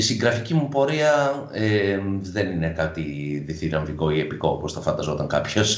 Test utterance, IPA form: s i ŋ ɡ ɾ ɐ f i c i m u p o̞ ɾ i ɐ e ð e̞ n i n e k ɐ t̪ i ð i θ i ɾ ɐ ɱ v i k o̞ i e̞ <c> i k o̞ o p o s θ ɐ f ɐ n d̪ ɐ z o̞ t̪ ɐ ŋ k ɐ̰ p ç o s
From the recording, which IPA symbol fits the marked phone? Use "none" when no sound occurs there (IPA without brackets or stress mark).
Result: p